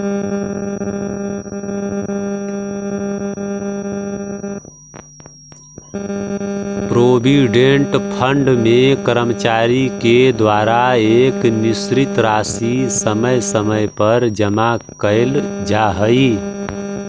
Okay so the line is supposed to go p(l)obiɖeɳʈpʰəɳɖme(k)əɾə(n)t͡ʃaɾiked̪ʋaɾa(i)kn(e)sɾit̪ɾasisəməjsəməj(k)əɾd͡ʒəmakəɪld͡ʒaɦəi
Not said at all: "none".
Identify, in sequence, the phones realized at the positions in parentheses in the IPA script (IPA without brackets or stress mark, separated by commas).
ɾ, k, m, e, i, p